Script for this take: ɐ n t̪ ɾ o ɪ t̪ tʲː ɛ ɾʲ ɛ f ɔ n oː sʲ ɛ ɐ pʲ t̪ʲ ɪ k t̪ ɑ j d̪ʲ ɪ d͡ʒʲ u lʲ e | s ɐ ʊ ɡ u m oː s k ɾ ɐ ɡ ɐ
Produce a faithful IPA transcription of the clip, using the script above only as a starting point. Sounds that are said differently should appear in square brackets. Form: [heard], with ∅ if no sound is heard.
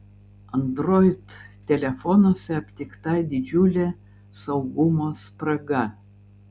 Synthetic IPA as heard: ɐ n [d̪] ɾ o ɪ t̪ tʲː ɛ [lʲ] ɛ f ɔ n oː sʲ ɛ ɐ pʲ t̪ʲ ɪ k t̪ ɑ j d̪ʲ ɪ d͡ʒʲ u lʲ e | s ɐ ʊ ɡ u m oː s [p] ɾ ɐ ɡ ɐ